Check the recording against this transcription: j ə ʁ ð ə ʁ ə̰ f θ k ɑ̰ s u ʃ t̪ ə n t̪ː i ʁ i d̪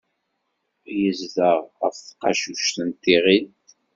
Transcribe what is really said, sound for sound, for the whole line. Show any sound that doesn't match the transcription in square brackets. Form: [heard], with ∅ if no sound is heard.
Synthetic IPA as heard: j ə [z] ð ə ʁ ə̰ f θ [q] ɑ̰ [ʃ] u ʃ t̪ ə n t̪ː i ʁ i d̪